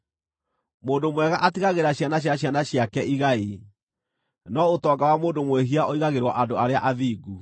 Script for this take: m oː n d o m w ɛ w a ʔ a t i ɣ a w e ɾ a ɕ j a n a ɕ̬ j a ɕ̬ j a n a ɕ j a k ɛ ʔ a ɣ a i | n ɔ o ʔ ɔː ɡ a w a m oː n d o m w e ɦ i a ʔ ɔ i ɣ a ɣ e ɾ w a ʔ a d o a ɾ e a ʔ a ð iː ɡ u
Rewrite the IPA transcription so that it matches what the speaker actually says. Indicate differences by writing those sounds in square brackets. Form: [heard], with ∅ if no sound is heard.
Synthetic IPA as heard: m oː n d o m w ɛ [ɣ] a ʔ a t i ɣ a [ɣ] e ɾ a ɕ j a n a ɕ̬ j a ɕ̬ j a n a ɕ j a k ɛ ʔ [i] ɣ a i | n ɔ o [t] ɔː ɡ a w a m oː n d o m w e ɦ i a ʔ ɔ i ɣ a ɣ e ɾ w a ʔ a d o a ɾ e a ʔ a ð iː ɡ u

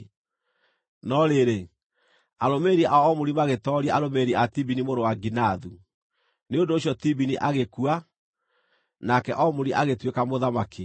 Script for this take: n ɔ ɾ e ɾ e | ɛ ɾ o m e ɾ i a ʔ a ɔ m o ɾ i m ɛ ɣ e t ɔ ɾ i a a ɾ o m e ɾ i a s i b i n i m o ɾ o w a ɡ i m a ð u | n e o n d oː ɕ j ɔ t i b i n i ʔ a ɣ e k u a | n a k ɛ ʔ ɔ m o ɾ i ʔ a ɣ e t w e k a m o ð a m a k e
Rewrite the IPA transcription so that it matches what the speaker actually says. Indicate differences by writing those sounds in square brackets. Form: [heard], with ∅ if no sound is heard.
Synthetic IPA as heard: n ɔ ɾ e ɾ e | [a] ɾ o m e ɾ i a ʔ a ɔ m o ɾ i m [a] ɣ e t ɔ ɾ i a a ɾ o m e ɾ i a [t] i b i n i m o ɾ o w a ɡ i [n] a ð u | n e o n d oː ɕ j ɔ t i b i n i ʔ a ɣ e k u a | n a k ɛ ʔ ɔ m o ɾ i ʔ a ɣ e t w e k a m o ð a m a k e

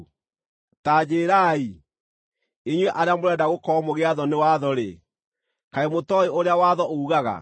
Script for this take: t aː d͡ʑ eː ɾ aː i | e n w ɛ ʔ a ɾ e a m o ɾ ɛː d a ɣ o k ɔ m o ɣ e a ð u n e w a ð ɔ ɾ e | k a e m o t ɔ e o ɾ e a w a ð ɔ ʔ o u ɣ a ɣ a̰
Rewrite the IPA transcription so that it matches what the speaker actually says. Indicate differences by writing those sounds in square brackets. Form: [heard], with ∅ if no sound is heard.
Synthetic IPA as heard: t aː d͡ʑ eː ɾ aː i | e [ɲ] w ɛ ʔ a ɾ e a m o ɾ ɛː d a ɣ o k ɔ m o ɣ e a ð [ɔ] n e w a ð ɔ ɾ e | k a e m o t ɔ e o ɾ e a w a ð ɔ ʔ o u ɣ a ɣ a̰

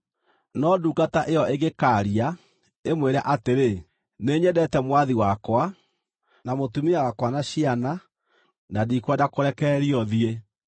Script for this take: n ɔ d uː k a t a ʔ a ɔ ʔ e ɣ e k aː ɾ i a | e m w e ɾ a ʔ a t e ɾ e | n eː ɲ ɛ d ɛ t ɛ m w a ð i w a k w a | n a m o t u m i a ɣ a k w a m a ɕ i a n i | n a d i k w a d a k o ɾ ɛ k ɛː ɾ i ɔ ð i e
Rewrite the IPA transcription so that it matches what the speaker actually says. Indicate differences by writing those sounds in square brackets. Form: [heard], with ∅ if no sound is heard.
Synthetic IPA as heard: n ɔ d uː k a t a ʔ [e] ɔ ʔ e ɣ e k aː ɾ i a | e m w e ɾ a ʔ a t e ɾ e | n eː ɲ ɛ d ɛ t ɛ m w a ð i w a k w a | n a m o t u m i a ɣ a k w a [n] a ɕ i a n [a] | n a d i k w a d a k o ɾ ɛ k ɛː ɾ i ɔ ð i e

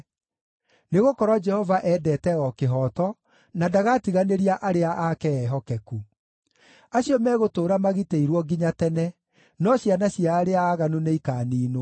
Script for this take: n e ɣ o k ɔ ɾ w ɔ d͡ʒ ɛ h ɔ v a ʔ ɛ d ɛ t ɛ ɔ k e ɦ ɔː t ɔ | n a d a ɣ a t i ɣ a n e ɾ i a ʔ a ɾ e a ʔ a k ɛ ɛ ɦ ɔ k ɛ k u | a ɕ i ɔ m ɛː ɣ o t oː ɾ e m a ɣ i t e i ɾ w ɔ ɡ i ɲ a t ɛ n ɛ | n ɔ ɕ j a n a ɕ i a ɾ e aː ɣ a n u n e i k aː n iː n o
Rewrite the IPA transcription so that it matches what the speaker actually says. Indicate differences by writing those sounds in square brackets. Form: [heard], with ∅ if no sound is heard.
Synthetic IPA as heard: n e ɣ o k ɔ ɾ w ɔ d͡ʒ ɛ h ɔ v a ʔ ɛ d ɛ t ɛ ɔ k e ɦ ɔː t ɔ | n a d a ɣ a t i ɣ a n e ɾ i a ʔ a ɾ e a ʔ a k ɛ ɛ ɦ ɔ k ɛ k u | a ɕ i ɔ m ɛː ɣ o t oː ɾ [a] m a ɣ i t e i ɾ w ɔ ɡ i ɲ a t ɛ n ɛ | n ɔ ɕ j a n a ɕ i a ɾ e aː ɣ a n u n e i k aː n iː n o

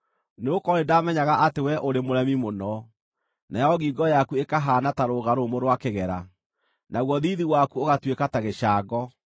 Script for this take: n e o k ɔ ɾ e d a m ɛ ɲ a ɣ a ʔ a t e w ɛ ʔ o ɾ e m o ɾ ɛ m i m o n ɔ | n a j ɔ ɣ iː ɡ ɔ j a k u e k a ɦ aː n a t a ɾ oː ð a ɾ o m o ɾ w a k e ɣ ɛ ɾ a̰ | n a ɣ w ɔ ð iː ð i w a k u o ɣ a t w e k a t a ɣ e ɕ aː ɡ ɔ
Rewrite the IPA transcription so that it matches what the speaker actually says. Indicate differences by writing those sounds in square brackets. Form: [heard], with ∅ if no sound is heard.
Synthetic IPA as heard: n e o k ɔ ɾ e d a m ɛ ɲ a ɣ a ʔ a t e w ɛ ʔ o ɾ e m o ɾ ɛ m i m o n ɔ | n a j ɔ ɣ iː ɡ ɔ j a k u e k a ɦ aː n a t a ɾ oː [ɣ] a ɾ o m o ɾ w a k e ɣ ɛ ɾ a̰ | n a ɣ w ɔ ð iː ð i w a k u o ɣ a t w e k a t a ɣ e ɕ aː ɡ ɔ

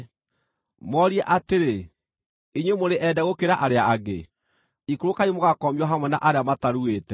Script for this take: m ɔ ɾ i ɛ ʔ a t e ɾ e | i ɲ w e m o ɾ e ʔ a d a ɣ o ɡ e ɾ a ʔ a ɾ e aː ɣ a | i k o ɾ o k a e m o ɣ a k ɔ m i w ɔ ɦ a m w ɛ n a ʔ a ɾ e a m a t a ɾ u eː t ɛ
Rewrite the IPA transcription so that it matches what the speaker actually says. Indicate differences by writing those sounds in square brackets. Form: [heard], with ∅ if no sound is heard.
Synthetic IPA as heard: m ɔ ɾ i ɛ ʔ a t e ɾ e | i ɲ w e m o ɾ e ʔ [ɛ] d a ɣ o [k] e ɾ a ʔ a ɾ e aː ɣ [e] | i k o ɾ o k a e m o ɣ a k ɔ m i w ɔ ɦ a m w ɛ n a ʔ a ɾ e a m a t a ɾ u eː t ɛ

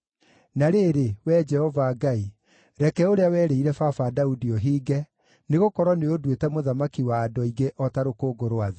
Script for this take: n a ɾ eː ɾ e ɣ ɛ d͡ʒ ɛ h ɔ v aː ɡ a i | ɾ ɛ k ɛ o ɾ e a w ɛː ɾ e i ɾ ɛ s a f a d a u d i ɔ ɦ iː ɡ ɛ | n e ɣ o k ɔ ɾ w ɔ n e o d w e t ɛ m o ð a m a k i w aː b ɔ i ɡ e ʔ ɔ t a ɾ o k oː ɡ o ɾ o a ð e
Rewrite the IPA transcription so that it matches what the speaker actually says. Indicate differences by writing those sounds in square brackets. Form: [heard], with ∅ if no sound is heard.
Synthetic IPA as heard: n a ɾ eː ɾ e [w] ɛ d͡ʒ ɛ h ɔ v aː ɡ a i | ɾ ɛ k ɛ o ɾ e a w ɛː ɾ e i ɾ ɛ [f] a f a d a u d i ɔ ɦ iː ɡ ɛ | n e ɣ o k ɔ ɾ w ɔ n e o d w e t ɛ m o ð a m a k i w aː [d] ɔ i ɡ e ʔ ɔ t a ɾ o k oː ɡ o ɾ o a ð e

